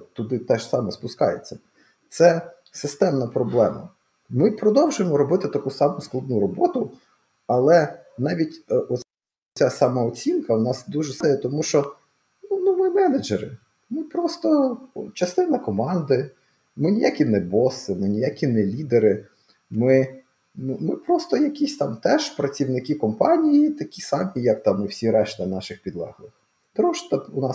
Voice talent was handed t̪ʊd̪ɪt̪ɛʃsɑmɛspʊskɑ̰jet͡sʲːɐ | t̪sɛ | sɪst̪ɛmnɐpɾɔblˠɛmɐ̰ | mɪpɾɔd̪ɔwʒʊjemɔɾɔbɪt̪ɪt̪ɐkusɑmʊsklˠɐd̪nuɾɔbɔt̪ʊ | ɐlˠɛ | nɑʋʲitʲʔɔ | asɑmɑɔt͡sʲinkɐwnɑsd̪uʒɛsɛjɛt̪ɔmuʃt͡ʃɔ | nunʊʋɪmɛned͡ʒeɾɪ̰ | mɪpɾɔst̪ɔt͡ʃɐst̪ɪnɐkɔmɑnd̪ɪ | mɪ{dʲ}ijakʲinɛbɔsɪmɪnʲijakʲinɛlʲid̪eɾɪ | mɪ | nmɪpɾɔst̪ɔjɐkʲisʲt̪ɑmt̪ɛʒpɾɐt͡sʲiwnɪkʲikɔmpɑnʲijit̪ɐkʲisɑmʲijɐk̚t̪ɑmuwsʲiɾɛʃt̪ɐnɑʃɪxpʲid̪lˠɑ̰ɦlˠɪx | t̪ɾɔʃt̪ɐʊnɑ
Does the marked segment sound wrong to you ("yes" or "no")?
yes